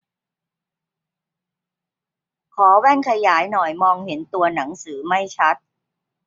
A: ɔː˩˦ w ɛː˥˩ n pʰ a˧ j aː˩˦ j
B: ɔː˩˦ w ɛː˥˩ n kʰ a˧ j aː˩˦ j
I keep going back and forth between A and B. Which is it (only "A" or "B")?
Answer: B